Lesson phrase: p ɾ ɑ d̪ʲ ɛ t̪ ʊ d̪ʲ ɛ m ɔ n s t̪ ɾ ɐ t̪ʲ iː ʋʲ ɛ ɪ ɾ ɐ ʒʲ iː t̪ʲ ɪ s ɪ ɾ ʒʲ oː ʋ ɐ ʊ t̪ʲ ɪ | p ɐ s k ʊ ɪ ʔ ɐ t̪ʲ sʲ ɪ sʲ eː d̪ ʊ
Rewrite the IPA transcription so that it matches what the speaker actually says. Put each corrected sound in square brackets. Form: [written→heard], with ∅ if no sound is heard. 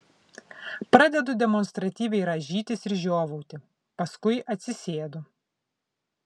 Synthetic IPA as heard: p ɾ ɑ d̪ʲ ɛ [t̪→d̪] ʊ d̪ʲ ɛ m ɔ n s t̪ ɾ ɐ t̪ʲ iː ʋʲ ɛ ɪ ɾ ɐ ʒʲ iː t̪ʲ ɪ s ɪ ɾ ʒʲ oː ʋ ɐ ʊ t̪ʲ ɪ | p ɐ s k ʊ ɪ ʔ ɐ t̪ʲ sʲ ɪ sʲ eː d̪ ʊ

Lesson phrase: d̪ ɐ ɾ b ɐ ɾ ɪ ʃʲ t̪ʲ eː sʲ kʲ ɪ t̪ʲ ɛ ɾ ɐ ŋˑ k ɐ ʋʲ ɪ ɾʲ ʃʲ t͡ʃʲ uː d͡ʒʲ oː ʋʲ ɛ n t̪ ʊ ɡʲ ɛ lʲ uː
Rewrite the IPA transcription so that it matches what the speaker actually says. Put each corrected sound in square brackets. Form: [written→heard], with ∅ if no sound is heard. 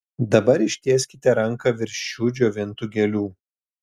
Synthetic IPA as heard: d̪ ɐ [ɾ→∅] b ɐ ɾ ɪ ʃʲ t̪ʲ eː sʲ kʲ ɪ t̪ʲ ɛ ɾ ɐ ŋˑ k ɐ ʋʲ ɪ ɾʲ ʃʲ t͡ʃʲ uː d͡ʒʲ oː ʋʲ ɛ n t̪ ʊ ɡʲ ɛ lʲ uː

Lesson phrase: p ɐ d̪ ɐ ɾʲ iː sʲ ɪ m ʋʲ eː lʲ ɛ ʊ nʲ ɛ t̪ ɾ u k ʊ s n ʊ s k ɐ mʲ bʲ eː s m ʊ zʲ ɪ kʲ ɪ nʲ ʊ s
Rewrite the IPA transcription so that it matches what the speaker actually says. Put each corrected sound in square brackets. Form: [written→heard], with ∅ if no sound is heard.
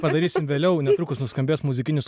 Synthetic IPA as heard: p ɐ d̪ ɐ ɾʲ iː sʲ ɪ m ʋʲ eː lʲ ɛ ʊ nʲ ɛ t̪ ɾ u k ʊ s n ʊ s k ɐ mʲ bʲ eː s m ʊ zʲ ɪ kʲ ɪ nʲ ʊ s

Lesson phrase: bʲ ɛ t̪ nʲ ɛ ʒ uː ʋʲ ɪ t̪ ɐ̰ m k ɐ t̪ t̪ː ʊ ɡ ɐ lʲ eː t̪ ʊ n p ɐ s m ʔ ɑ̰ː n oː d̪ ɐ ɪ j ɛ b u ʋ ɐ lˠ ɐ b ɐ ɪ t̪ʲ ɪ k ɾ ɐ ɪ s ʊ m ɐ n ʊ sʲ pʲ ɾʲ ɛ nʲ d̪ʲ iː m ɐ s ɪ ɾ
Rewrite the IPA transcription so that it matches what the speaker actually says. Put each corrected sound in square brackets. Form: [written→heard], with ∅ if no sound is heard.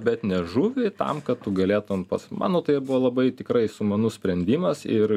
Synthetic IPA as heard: bʲ ɛ t̪ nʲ ɛ ʒ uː ʋʲ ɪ t̪ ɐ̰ m k ɐ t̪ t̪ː ʊ ɡ ɐ lʲ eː t̪ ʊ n p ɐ s m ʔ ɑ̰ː n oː [d̪→t̪] ɐ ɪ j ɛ b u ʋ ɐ lˠ ɐ b ɐ ɪ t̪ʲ ɪ k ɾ ɐ ɪ s ʊ m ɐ n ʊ sʲ pʲ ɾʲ ɛ nʲ d̪ʲ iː m ɐ s ɪ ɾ

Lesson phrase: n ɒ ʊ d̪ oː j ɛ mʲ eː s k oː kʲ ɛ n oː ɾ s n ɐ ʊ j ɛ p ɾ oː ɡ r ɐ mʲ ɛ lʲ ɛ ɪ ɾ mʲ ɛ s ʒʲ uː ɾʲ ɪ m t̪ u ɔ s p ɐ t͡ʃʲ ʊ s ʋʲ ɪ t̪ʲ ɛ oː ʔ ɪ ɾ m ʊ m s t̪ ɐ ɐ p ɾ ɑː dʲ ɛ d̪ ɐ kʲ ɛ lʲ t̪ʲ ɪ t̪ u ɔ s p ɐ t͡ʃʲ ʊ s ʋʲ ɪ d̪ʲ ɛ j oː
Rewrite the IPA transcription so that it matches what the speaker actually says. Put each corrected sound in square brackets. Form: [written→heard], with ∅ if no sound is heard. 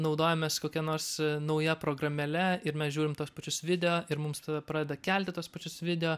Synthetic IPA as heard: n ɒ ʊ d̪ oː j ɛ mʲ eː s k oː kʲ ɛ n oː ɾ s n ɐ ʊ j ɛ p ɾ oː ɡ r ɐ mʲ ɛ lʲ ɛ ɪ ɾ mʲ ɛ s ʒʲ uː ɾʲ ɪ m t̪ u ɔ s p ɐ t͡ʃʲ ʊ s ʋʲ ɪ [t̪ʲ→d̪ʲ] ɛ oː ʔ ɪ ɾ m ʊ m s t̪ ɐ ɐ p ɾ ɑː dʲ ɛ d̪ ɐ kʲ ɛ lʲ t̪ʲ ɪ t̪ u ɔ s p ɐ t͡ʃʲ ʊ s ʋʲ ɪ d̪ʲ ɛ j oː

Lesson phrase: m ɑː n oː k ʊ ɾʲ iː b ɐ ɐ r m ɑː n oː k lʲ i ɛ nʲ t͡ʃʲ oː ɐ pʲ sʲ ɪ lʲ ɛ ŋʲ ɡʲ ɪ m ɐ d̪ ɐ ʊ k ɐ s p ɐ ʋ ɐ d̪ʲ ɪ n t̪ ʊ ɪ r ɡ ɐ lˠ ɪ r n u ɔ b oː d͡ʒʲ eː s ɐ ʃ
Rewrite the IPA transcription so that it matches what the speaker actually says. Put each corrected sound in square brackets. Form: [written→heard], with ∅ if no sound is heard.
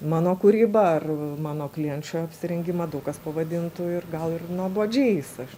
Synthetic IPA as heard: m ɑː n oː k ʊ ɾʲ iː b ɐ ɐ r m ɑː n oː k lʲ i ɛ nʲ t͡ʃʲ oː ɐ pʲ sʲ ɪ [lʲ→ɾʲ] ɛ ŋʲ ɡʲ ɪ m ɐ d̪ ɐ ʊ k ɐ s p ɐ ʋ ɐ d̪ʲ ɪ n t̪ ʊ ɪ r ɡ ɐ lˠ ɪ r n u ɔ b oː d͡ʒʲ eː s ɐ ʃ

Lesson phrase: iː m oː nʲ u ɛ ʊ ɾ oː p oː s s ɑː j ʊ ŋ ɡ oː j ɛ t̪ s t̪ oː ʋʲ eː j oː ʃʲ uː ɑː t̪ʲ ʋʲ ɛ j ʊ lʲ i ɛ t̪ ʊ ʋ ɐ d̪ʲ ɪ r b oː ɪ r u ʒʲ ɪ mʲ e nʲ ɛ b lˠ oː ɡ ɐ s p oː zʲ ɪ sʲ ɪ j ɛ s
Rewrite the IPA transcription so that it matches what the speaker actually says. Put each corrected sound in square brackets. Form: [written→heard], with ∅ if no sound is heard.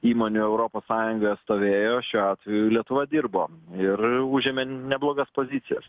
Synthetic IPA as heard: iː m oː nʲ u ɛ ʊ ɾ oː p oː s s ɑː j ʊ ŋ ɡ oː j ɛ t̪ s t̪ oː ʋʲ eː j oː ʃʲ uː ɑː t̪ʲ ʋʲ ɛ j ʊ lʲ i ɛ t̪ ʊ ʋ ɐ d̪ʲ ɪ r b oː ɪ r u ʒʲ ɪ mʲ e nʲ ɛ b lˠ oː ɡ ɐ s p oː zʲ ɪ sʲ ɪ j ɛ s

